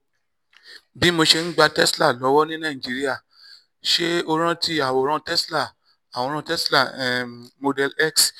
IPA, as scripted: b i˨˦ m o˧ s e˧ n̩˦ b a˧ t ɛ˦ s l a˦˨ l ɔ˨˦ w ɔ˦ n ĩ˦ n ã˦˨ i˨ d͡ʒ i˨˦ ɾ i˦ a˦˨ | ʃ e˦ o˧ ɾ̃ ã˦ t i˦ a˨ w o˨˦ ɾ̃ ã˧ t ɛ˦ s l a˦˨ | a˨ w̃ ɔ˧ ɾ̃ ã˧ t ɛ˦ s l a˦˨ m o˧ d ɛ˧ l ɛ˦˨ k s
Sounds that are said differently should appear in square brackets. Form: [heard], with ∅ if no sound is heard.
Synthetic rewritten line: b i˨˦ m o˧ [ʃ] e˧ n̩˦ [ɡ͡b] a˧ t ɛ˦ s l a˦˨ l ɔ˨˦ w ɔ˦ n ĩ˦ n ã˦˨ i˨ d͡ʒ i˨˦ ɾ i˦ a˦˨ | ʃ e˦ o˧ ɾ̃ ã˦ t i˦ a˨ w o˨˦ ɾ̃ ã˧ t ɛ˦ s l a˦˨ | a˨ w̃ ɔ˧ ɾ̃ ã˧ t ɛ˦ s l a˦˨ m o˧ d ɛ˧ l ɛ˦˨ k s